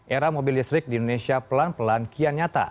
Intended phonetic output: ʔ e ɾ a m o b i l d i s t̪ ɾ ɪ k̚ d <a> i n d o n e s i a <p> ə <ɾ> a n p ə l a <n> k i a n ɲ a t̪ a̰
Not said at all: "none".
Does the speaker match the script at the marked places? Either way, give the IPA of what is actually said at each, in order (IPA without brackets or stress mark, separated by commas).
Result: i, p, l, n